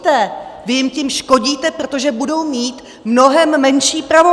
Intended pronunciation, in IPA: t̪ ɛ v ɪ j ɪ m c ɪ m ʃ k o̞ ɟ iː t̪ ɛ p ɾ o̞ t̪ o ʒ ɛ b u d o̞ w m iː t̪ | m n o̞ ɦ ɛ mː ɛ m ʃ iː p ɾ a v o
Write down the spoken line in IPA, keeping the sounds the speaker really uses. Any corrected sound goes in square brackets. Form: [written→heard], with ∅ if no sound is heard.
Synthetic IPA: t̪ ɛ v ɪ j ɪ m c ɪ m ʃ k o̞ ɟ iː t̪ ɛ p ɾ o̞ t̪ o ʒ ɛ b u d o̞ w m iː t̪ | m n o̞ ɦ ɛ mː ɛ [m→n] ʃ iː p ɾ a v o